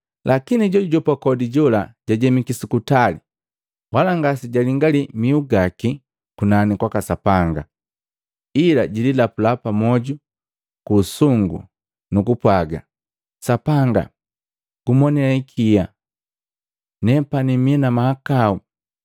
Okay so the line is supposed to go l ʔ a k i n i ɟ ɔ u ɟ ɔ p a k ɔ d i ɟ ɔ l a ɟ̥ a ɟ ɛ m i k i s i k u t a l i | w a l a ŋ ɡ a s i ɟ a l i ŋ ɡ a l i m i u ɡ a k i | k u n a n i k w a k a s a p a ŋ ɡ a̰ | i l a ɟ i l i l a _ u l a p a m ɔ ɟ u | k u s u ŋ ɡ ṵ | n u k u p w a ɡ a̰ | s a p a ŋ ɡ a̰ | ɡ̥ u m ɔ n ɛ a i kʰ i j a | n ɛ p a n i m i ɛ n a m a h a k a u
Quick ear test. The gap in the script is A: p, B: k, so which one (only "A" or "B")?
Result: A